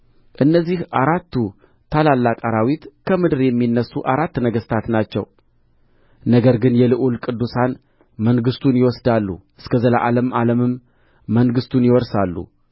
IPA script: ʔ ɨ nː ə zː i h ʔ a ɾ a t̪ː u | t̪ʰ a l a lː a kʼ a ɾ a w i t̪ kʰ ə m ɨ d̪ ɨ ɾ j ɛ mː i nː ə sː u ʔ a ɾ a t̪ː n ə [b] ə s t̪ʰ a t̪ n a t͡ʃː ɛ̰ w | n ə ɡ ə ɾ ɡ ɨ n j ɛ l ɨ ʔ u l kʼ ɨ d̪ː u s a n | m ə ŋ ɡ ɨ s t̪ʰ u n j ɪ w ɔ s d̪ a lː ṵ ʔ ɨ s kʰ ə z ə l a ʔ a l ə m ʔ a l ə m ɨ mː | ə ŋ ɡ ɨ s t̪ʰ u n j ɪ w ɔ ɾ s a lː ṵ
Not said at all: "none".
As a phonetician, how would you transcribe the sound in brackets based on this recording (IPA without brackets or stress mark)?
ɡ